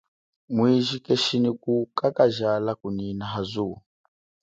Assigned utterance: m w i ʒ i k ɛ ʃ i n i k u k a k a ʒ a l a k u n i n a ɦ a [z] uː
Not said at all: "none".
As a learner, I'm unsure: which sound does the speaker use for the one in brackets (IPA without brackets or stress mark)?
z